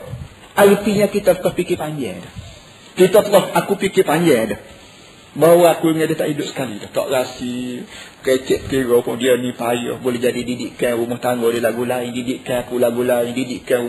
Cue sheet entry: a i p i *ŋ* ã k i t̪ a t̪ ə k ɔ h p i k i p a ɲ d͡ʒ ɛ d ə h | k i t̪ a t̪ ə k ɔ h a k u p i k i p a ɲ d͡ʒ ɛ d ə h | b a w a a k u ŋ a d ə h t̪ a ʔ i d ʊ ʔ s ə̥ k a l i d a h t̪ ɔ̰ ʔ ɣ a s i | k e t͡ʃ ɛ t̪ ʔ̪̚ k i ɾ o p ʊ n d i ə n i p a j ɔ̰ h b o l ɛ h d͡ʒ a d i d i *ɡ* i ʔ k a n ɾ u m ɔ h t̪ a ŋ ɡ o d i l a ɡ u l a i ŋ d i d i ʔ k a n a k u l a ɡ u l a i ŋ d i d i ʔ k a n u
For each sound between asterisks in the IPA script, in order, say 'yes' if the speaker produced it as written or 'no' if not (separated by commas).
no, no